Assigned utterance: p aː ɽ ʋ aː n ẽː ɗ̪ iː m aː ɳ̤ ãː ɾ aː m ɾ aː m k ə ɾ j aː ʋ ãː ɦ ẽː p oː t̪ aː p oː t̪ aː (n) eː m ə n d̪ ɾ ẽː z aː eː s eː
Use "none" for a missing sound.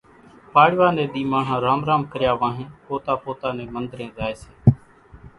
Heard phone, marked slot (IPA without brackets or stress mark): n